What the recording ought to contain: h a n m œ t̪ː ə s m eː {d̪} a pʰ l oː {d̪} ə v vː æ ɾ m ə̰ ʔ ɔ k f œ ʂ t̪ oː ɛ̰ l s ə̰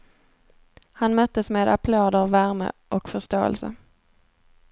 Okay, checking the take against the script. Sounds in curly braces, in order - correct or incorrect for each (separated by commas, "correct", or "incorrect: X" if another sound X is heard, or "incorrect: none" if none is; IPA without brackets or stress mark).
correct, correct